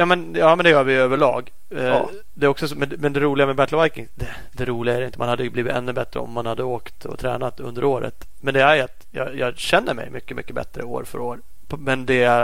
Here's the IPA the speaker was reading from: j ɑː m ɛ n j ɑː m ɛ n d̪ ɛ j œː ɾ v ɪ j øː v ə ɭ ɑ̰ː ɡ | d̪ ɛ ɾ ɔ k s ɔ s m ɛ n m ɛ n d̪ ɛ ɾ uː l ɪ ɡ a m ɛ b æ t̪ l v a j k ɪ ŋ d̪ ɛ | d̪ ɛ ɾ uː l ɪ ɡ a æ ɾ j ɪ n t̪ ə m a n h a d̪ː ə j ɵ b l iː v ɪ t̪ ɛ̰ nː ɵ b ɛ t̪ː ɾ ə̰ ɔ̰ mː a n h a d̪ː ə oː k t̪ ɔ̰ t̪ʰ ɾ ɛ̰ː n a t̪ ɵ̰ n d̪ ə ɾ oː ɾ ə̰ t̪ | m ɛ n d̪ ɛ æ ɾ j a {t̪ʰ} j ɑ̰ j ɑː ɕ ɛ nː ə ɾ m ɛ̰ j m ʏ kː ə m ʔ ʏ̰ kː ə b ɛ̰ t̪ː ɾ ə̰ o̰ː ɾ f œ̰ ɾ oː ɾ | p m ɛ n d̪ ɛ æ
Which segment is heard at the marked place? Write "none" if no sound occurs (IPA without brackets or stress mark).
t̪